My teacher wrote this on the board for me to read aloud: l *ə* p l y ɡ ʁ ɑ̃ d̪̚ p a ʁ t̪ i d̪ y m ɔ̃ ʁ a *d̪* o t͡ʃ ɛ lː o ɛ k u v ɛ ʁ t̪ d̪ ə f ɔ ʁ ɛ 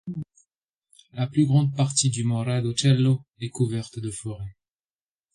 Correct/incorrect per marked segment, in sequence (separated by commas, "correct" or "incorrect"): incorrect, correct